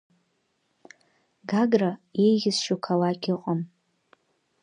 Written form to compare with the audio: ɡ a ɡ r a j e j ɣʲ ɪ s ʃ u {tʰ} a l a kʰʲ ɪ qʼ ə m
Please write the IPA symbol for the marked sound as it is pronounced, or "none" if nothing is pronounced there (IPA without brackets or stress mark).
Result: kʰ